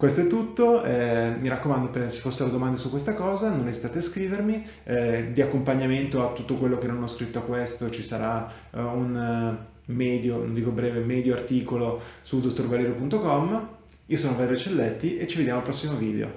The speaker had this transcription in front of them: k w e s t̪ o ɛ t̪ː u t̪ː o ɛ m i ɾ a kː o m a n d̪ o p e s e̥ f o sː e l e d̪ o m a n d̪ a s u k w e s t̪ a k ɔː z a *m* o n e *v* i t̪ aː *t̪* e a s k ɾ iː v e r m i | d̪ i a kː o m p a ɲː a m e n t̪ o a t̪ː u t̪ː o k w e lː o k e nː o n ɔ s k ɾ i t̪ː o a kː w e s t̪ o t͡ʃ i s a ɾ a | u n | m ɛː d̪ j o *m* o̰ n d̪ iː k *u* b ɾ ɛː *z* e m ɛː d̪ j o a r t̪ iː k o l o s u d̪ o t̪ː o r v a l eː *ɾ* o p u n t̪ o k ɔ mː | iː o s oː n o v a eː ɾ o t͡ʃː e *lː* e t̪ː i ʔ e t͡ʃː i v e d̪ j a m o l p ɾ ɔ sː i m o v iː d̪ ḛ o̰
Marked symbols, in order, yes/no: no, no, yes, no, no, no, yes, yes

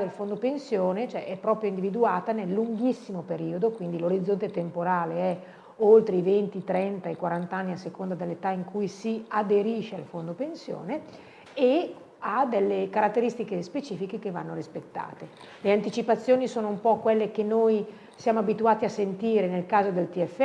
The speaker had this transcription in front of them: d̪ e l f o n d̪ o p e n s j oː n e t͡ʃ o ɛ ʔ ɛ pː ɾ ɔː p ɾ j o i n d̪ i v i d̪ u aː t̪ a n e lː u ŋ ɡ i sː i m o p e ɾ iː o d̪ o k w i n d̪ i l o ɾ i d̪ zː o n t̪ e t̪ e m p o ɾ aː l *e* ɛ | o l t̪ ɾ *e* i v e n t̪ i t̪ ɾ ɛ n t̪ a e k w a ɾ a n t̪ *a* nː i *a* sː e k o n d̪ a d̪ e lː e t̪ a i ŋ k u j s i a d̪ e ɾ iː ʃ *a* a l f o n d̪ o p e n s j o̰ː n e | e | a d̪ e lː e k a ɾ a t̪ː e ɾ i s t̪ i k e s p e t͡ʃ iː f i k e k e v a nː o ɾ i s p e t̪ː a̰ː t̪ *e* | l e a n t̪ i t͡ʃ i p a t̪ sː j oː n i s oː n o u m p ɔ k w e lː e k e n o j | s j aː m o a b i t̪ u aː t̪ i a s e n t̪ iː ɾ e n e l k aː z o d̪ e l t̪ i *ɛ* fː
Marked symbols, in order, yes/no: yes, yes, yes, yes, no, yes, yes

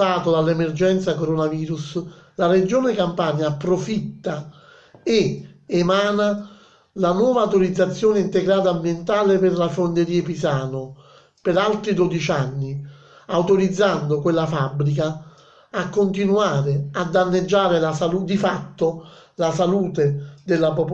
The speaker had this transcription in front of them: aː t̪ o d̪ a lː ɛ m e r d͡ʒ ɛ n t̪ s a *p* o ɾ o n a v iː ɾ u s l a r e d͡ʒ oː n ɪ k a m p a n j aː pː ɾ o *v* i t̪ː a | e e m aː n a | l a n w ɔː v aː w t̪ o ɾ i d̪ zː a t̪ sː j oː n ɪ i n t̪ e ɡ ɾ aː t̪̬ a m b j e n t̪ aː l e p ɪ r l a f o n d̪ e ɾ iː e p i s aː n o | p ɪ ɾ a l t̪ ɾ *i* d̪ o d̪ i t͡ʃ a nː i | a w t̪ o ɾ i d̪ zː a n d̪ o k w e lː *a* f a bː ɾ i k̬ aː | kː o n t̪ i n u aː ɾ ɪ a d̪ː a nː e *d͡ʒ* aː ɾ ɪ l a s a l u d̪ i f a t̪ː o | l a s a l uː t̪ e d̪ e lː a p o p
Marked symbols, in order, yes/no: no, no, yes, yes, no

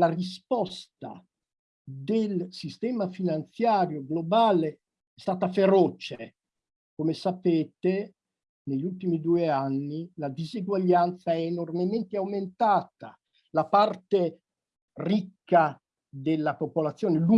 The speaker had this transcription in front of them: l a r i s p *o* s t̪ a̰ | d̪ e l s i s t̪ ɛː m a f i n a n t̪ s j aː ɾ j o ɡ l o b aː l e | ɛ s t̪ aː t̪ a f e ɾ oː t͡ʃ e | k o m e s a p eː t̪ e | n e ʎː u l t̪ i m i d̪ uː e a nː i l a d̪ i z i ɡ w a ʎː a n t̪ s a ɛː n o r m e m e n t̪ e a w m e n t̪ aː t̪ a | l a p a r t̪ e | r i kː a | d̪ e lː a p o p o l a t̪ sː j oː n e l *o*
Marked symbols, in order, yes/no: no, no

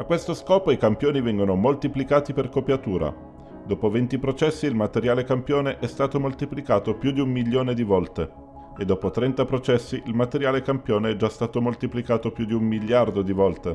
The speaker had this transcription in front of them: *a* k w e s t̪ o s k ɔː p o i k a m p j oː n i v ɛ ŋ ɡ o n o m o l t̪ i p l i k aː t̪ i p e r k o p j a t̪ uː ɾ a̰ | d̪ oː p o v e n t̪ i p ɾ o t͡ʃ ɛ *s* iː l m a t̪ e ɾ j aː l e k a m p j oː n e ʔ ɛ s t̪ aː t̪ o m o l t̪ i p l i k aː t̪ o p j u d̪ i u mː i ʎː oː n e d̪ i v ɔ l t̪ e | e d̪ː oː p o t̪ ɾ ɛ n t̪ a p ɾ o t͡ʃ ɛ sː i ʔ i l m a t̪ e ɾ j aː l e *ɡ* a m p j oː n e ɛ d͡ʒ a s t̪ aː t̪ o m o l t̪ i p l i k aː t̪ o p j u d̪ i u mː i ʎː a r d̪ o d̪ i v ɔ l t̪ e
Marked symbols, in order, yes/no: yes, no, no

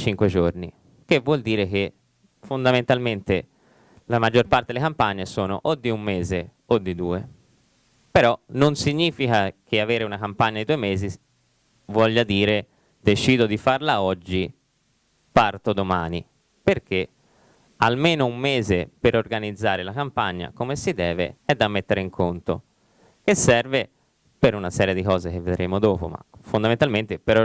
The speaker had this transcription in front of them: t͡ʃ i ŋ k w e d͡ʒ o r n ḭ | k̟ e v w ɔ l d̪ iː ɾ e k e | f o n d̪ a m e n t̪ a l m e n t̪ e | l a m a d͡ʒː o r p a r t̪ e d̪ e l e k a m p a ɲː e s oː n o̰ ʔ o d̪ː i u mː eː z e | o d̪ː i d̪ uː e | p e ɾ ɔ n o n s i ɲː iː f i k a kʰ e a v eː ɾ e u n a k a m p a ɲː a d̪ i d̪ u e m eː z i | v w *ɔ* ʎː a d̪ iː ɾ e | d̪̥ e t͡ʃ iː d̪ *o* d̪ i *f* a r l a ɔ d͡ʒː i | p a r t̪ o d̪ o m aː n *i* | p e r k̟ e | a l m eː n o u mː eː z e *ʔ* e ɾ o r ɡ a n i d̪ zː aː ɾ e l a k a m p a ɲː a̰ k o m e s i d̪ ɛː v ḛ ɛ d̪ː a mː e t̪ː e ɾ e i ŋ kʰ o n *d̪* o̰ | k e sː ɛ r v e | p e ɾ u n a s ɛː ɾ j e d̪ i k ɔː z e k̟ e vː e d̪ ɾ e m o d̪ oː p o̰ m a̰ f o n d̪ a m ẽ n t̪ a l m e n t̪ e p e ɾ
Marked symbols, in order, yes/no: yes, yes, yes, yes, no, no

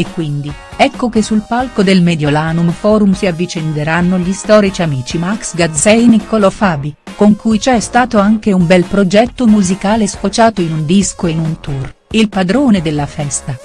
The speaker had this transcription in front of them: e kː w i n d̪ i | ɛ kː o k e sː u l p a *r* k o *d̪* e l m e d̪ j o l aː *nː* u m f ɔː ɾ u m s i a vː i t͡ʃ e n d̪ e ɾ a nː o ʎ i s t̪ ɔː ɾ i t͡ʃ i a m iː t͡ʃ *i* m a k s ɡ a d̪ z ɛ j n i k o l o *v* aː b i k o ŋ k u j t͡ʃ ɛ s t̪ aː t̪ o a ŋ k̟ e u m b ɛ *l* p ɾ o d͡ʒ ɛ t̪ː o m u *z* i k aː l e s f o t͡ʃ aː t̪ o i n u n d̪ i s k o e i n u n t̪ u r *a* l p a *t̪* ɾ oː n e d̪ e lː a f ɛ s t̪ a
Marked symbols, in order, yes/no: no, yes, no, yes, no, yes, yes, no, no

